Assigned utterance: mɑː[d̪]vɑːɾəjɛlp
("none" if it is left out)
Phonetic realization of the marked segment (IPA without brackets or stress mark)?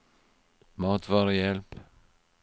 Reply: t̪